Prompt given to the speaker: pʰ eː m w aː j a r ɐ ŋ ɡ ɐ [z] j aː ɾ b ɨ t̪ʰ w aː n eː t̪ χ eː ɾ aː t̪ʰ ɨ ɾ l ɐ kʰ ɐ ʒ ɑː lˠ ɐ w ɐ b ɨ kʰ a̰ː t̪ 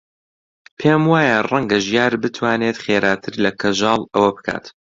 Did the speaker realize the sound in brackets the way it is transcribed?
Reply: no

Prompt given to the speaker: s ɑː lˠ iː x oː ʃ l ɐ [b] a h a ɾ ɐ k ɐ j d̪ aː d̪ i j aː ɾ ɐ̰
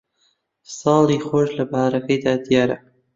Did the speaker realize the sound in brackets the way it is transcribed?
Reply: yes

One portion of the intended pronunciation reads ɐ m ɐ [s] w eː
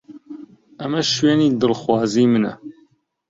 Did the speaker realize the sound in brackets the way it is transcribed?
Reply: no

